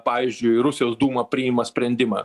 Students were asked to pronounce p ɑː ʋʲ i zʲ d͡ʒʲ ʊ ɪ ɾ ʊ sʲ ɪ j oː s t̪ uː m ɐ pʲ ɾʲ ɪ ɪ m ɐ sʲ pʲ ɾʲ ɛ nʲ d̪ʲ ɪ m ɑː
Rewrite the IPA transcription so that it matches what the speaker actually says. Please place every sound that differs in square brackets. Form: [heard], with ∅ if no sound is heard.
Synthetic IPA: p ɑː ʋʲ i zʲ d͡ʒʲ ʊ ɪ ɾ ʊ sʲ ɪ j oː s [d̪] uː m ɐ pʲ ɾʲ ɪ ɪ m ɐ sʲ pʲ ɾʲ ɛ nʲ d̪ʲ ɪ m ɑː